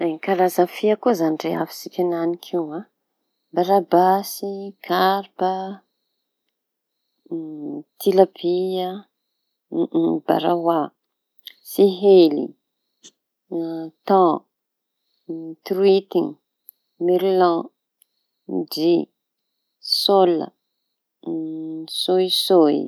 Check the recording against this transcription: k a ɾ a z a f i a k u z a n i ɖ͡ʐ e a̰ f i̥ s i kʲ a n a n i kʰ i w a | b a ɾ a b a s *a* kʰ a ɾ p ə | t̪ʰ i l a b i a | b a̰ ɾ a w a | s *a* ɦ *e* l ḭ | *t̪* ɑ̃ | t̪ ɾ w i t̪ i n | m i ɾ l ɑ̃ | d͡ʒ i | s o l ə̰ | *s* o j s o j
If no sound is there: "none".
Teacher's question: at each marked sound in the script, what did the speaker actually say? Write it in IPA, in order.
i, i, e, t̪, s

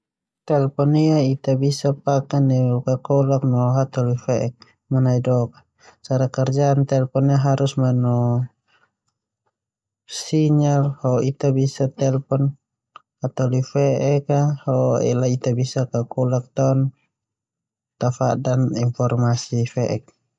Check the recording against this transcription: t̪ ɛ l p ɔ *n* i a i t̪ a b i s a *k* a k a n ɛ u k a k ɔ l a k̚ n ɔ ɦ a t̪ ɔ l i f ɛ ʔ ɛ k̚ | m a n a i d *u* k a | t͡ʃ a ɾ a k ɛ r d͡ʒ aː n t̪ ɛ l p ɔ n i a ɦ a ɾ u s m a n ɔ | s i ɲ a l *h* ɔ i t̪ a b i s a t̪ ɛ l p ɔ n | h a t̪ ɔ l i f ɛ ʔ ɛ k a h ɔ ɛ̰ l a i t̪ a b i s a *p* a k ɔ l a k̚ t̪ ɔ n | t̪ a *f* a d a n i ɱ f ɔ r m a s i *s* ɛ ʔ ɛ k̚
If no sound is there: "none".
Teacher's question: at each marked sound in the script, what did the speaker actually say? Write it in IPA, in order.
n, p, ɔ, h, k, f, f

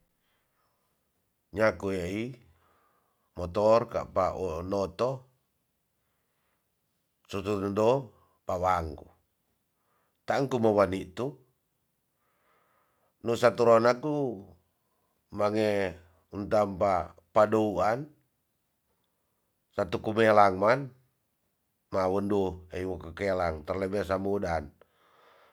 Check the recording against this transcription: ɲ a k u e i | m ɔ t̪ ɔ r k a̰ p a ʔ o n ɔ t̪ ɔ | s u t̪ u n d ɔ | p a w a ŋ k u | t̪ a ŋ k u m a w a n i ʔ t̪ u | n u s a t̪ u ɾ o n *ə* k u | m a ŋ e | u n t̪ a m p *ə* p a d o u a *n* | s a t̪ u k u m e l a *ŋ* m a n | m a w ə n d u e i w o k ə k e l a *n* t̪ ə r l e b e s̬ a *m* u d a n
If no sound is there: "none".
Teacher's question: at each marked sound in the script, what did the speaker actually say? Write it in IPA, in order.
a, a, n, ŋ, ŋ, m

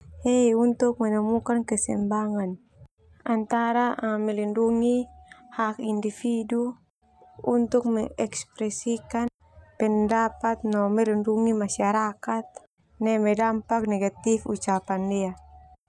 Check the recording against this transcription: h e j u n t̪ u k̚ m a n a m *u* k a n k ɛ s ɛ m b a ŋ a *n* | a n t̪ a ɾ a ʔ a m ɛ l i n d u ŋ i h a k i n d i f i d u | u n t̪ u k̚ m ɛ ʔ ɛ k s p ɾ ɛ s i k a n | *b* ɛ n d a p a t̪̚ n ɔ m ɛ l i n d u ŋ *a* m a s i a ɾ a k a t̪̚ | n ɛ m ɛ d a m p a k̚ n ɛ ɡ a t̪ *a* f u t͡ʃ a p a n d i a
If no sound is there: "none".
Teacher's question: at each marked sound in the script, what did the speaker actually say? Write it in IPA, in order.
u, n, p, i, i

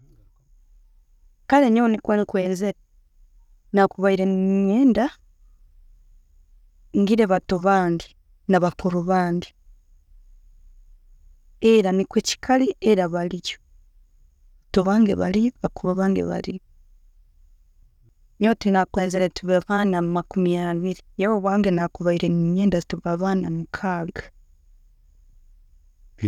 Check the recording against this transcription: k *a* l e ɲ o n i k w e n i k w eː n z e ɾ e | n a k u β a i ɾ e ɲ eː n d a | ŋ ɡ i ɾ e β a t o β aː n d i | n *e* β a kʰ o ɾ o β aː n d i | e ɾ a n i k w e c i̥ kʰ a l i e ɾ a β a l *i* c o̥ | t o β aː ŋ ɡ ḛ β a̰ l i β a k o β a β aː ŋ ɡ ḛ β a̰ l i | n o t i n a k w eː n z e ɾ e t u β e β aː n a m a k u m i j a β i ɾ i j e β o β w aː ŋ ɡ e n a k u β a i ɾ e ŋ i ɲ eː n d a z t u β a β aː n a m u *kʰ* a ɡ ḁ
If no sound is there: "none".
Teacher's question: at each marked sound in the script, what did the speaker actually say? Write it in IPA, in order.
a, a, i, kʰ

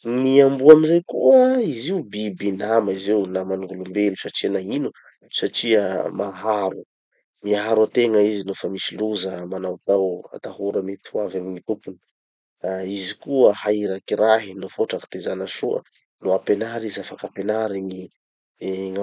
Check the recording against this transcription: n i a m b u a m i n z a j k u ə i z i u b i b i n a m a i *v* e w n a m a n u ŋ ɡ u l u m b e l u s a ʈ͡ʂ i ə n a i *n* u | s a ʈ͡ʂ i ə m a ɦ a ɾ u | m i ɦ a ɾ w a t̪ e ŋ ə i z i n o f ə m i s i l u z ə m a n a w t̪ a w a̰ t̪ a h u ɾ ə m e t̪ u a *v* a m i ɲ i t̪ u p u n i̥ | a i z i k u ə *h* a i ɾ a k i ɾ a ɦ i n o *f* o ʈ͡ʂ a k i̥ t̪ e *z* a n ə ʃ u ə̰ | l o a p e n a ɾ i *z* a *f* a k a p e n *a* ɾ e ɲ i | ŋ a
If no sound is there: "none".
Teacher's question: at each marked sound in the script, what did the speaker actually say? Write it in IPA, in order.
z, n, v, h, f, z, z, f, a

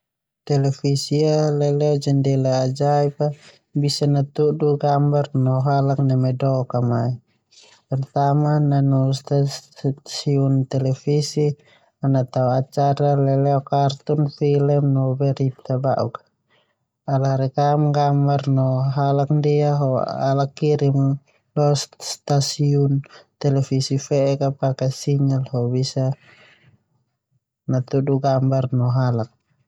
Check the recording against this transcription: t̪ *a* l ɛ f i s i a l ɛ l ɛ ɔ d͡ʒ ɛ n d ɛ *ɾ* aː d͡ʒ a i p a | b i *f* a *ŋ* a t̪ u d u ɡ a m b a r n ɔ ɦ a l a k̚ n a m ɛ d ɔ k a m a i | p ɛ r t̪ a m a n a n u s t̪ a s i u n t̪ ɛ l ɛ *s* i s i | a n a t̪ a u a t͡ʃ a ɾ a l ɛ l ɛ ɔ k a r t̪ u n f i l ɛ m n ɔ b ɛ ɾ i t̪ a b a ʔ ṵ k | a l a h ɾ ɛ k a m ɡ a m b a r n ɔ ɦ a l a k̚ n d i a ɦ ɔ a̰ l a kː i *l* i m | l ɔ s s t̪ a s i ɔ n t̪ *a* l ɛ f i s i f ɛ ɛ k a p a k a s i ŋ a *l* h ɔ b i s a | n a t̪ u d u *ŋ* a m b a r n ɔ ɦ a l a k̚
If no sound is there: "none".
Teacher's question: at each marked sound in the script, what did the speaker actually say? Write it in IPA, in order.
ɛ, l, s, n, f, ɾ, ɛ, l, ɡ

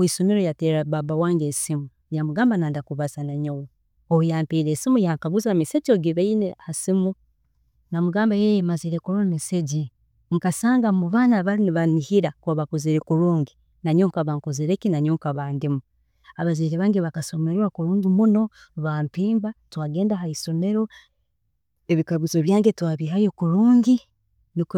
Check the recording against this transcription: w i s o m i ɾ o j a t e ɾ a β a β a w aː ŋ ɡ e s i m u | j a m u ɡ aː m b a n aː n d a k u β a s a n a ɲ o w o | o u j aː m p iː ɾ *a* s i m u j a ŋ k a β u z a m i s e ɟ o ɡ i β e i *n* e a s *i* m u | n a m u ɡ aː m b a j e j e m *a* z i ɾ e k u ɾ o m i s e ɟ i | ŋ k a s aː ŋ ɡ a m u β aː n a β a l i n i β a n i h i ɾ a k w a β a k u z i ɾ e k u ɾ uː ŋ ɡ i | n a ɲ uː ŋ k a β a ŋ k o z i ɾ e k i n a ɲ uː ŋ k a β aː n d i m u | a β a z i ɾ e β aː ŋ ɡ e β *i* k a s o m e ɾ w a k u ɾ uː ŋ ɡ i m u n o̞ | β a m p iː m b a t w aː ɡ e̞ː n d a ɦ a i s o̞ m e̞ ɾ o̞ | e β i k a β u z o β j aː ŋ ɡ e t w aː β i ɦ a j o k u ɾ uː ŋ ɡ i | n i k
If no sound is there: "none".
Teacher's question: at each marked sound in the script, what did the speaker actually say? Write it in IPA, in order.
e, n, i, a, a

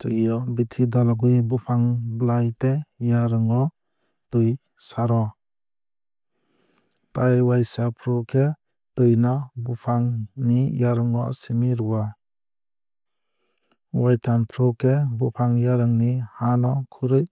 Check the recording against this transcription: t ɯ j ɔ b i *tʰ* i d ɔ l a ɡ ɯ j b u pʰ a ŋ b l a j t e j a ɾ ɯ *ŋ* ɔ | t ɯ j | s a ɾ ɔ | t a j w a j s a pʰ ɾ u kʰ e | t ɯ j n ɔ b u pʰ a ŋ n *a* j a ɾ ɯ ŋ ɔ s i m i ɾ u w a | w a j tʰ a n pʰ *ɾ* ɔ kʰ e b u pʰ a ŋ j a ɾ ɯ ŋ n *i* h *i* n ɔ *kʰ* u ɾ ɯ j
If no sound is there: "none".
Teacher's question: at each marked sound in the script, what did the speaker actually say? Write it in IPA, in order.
tʰ, ŋ, i, ɾ, i, a, kʰ

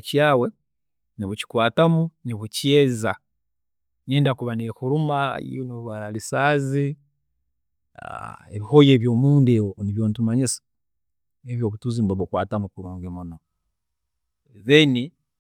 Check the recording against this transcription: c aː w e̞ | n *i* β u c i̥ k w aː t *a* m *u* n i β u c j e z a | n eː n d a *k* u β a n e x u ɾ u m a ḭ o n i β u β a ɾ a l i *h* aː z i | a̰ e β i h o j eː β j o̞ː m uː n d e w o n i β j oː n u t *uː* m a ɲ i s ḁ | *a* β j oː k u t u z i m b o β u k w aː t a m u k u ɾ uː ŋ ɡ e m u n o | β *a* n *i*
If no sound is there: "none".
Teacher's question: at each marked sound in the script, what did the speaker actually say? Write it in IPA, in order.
i, a, u, k, s, u, e, e, i

